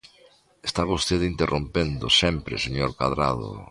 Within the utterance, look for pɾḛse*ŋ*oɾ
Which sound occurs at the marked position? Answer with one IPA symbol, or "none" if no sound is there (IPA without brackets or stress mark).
ɲ